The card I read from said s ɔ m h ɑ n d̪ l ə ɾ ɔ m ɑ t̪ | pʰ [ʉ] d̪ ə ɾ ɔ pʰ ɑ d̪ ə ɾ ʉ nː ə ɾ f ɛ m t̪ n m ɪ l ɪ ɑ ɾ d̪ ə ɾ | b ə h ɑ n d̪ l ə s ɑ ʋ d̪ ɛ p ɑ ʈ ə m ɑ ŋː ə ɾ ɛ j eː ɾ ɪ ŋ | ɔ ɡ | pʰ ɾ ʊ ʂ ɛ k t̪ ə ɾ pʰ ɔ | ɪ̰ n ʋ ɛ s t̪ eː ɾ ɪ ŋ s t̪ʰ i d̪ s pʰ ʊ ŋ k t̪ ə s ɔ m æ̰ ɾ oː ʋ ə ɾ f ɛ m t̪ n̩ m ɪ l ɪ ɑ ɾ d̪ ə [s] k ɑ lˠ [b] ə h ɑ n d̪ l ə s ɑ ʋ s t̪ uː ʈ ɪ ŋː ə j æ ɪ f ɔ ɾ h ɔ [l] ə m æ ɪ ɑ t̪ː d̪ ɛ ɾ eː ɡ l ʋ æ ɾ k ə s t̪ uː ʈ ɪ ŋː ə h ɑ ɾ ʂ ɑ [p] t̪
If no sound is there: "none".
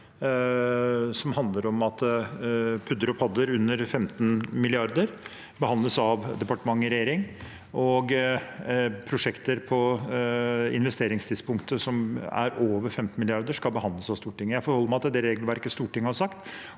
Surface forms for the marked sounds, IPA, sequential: ʉ, ʂ, b, lː, k

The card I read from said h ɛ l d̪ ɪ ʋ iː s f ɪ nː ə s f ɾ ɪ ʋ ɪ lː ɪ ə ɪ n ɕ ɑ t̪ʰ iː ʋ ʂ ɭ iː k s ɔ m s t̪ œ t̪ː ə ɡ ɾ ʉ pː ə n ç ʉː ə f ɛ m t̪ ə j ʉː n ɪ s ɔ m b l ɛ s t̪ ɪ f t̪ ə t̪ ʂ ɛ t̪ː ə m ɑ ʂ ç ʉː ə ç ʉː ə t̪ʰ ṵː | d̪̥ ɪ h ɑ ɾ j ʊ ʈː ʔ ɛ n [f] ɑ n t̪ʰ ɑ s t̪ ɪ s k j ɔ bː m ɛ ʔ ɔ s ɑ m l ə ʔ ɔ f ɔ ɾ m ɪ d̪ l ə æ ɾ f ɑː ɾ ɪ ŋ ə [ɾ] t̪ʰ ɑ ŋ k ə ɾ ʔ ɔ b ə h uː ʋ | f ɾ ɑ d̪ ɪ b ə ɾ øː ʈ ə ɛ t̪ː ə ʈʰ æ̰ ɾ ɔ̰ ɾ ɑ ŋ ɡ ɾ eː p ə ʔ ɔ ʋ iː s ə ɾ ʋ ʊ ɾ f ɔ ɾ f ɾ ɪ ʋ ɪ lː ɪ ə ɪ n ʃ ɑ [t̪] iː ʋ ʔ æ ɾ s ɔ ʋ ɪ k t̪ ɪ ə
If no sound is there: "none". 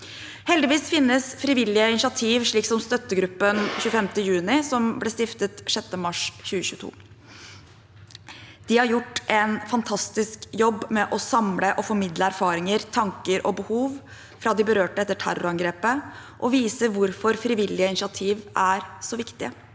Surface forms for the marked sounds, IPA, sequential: f, ɾ, t̪ʰ

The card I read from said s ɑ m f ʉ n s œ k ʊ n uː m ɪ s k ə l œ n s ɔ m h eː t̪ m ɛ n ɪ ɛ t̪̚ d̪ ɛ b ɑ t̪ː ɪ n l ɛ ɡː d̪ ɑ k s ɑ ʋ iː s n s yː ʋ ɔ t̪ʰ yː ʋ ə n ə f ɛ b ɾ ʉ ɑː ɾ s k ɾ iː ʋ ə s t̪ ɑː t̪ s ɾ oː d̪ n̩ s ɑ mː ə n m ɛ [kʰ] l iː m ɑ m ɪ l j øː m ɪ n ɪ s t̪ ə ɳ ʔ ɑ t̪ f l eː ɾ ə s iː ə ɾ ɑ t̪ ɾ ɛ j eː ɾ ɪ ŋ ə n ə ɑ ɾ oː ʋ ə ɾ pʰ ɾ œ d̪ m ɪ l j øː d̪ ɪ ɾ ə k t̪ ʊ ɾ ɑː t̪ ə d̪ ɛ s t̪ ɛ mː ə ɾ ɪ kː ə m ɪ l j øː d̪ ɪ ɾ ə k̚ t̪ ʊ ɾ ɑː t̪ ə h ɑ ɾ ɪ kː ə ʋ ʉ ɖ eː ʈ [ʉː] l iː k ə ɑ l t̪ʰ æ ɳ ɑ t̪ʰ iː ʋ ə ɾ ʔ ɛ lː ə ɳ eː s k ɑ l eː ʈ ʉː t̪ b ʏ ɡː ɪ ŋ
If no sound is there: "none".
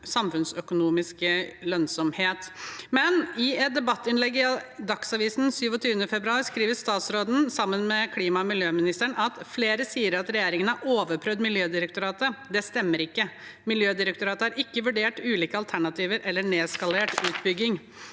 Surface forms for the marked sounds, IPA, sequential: kʰ, ʉː

